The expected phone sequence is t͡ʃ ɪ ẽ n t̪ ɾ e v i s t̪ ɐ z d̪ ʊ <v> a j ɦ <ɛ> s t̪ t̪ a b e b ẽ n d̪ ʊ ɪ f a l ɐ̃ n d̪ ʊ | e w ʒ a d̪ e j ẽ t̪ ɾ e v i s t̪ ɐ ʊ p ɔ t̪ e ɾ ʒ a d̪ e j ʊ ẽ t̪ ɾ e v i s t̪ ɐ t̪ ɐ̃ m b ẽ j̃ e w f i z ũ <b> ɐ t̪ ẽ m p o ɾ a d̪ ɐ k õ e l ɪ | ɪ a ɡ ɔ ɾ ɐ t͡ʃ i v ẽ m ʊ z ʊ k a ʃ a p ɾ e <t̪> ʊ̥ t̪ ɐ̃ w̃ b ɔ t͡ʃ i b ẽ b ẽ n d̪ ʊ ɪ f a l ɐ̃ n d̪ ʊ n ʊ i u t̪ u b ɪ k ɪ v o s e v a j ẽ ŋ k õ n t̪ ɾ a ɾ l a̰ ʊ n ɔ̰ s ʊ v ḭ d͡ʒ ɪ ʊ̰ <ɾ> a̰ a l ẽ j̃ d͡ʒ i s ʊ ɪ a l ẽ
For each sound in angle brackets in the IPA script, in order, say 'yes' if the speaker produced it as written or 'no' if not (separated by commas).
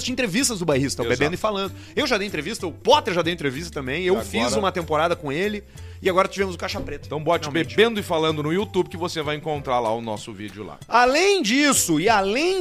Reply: no, no, no, yes, no